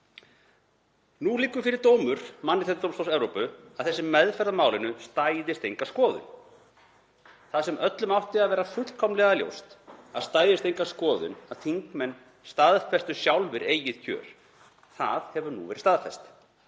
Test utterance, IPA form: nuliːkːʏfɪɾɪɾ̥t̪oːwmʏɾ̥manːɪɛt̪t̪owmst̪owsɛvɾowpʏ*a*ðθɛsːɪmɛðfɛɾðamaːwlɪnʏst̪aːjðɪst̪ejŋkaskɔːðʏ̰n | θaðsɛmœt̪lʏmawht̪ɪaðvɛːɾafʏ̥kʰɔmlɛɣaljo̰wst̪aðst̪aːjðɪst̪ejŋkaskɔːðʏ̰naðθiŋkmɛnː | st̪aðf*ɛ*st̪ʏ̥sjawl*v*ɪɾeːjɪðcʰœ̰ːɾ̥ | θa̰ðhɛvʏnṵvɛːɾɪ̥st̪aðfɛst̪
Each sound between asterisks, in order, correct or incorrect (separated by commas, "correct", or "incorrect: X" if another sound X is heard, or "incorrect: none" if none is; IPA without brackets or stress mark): correct, correct, correct